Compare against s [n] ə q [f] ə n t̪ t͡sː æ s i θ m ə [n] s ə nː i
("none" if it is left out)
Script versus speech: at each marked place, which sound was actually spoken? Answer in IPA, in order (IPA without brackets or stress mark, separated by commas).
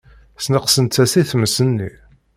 n, s, none